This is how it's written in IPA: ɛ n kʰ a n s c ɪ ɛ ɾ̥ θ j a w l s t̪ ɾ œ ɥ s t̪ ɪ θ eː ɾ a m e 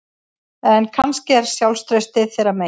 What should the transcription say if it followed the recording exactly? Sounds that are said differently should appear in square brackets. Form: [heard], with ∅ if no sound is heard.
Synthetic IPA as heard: ɛ n kʰ a n s c ɪ ɛ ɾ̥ [s] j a w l s t̪ ɾ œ ɥ s t̪ ɪ θ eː ɾ a m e